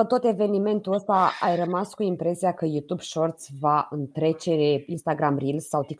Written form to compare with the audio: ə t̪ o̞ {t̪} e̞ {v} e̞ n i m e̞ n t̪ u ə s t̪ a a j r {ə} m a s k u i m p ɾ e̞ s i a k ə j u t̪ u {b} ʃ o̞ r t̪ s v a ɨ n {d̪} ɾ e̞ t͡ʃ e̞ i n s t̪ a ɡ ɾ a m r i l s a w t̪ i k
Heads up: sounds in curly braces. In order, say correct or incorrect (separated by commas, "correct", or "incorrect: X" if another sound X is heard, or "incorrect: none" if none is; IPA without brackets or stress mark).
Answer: correct, correct, correct, correct, incorrect: t̪